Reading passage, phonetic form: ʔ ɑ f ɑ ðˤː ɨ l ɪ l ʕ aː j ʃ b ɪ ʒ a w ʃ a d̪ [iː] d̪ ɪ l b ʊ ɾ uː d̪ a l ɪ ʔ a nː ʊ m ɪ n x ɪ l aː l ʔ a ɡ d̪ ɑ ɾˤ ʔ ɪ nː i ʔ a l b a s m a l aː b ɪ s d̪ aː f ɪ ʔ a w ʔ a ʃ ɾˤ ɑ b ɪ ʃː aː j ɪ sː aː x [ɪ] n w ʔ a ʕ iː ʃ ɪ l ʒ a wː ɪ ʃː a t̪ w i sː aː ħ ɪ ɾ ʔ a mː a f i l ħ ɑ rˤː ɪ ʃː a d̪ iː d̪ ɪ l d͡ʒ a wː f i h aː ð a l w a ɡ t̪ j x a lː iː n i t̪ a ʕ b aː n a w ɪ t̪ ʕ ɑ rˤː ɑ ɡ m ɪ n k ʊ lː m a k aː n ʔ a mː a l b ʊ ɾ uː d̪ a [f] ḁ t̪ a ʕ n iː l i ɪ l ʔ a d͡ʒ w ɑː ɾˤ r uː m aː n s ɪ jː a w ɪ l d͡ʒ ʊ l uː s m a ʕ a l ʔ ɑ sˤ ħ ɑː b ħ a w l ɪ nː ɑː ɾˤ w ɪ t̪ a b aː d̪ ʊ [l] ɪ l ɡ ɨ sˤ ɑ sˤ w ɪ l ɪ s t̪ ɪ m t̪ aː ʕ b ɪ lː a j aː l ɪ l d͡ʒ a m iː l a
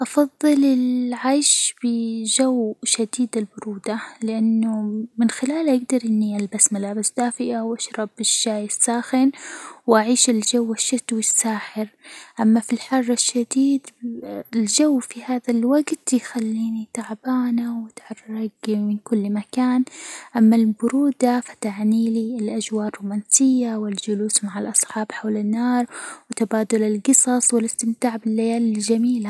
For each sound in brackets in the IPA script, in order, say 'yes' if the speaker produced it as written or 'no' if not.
yes, yes, yes, yes

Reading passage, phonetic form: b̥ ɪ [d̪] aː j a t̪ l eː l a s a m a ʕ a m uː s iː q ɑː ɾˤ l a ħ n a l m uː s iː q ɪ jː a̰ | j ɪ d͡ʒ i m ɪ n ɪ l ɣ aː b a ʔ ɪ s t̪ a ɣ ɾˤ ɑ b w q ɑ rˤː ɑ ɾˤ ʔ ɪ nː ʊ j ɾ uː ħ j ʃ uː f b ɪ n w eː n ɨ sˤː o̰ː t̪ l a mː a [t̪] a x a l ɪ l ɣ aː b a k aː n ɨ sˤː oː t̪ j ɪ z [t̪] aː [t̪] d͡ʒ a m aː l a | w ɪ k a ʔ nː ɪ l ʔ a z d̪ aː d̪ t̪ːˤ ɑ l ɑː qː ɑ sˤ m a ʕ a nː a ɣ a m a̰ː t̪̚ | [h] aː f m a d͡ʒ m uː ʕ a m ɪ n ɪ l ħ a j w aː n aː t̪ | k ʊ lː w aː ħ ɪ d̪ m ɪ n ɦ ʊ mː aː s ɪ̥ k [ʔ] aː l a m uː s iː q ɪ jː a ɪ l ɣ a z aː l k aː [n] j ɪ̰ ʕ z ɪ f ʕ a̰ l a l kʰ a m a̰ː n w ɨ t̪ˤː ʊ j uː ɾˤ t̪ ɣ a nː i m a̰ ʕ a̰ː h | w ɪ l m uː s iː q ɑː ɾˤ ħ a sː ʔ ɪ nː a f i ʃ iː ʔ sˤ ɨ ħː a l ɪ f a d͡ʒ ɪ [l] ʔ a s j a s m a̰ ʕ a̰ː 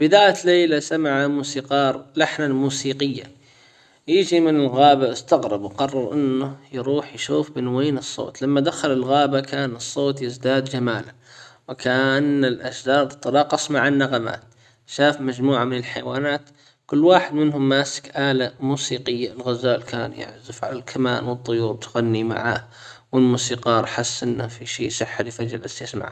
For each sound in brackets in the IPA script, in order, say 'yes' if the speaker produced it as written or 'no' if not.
yes, no, no, no, no, yes, yes, yes

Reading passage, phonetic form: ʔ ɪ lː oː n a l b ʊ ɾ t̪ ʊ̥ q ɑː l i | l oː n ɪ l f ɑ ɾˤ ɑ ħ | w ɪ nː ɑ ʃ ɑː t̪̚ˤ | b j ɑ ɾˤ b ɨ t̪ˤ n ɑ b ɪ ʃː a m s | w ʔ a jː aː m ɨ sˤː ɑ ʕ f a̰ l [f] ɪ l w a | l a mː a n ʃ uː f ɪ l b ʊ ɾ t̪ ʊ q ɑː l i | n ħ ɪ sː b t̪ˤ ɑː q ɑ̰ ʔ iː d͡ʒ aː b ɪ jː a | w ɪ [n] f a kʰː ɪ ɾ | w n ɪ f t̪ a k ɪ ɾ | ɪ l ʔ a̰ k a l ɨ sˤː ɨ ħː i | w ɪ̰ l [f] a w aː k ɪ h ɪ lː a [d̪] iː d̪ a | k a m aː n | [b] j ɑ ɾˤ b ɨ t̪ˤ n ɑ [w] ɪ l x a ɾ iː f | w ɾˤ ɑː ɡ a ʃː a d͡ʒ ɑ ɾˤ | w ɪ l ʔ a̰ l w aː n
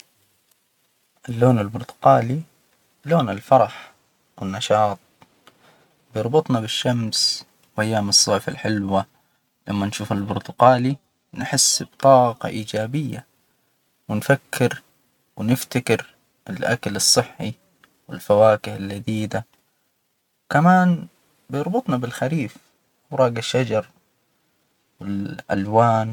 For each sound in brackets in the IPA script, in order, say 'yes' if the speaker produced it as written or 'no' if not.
no, yes, yes, yes, yes, no

